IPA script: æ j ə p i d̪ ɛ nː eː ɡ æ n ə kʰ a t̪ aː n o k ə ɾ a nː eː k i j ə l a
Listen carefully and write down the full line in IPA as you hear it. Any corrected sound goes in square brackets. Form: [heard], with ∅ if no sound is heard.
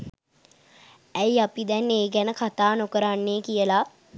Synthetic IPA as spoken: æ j [a] p i d̪ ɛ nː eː ɡ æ n ə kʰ a t̪ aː n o k ə ɾ a nː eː k i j ə l a

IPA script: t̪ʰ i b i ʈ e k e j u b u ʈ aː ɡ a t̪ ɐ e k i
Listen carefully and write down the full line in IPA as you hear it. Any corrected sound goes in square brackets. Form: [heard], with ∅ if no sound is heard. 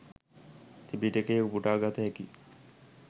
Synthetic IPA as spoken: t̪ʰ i b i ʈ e k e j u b u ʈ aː ɡ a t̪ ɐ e k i

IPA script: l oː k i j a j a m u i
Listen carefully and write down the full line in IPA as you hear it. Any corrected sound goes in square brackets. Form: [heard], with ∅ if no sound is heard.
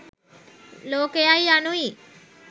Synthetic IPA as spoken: l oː k [e] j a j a [n] u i

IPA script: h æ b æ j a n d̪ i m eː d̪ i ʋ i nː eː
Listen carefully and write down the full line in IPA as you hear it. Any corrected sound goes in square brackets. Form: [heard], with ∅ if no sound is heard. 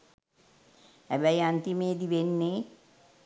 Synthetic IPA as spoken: h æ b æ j a n [t̪] i m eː d̪ i ʋ [e] nː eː

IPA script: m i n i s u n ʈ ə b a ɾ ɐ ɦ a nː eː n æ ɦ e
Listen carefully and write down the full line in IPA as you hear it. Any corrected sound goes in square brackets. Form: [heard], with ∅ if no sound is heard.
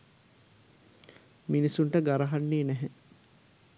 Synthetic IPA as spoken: m i n i s u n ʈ ə [ɡ] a ɾ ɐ ɦ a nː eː n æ ɦ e

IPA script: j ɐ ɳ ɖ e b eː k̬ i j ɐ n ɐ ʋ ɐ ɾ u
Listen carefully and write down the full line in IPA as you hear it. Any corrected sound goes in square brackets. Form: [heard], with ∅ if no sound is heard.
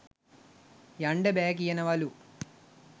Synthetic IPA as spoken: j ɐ ɳ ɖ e b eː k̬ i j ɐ n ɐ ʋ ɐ [l] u

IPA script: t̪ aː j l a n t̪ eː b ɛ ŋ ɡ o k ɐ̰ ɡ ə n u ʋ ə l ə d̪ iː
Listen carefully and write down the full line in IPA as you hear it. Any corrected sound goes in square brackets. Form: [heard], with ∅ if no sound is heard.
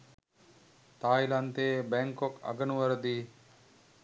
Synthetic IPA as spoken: t̪ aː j l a n t̪ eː b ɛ ŋ [k] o k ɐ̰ ɡ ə n u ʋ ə [ɾ] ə d̪ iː

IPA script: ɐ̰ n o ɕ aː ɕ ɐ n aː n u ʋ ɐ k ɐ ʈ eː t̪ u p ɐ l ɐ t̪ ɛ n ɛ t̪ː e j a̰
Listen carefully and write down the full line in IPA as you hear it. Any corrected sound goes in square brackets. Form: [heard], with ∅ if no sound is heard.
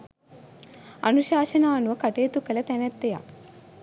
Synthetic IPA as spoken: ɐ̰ n [u] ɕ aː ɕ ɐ n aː n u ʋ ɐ k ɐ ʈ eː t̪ u [k] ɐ l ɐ t̪ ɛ n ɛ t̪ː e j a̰

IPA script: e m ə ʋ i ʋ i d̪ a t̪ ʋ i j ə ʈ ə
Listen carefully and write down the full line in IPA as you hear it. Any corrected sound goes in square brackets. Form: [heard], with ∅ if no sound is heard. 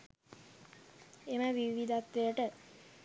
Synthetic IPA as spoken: e m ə ʋ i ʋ i d̪ a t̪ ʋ [e] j ə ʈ ə

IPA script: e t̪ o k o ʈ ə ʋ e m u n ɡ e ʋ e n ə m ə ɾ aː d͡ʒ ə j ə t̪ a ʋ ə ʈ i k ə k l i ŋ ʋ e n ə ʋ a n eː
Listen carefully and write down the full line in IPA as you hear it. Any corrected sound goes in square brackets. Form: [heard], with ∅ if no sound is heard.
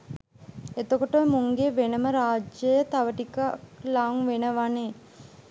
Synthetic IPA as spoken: e t̪ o k o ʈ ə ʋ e m u [ŋ] ɡ e ʋ e n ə m ə ɾ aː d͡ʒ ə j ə t̪ a ʋ ə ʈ i k [a] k l [a] ŋ ʋ e n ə ʋ a n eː

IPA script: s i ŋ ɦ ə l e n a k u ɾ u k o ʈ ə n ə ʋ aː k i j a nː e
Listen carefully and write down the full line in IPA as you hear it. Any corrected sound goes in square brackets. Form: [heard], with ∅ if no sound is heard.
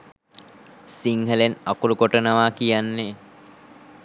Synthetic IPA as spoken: s i ŋ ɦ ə l e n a k u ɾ u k o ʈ ə n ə ʋ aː k i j a nː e

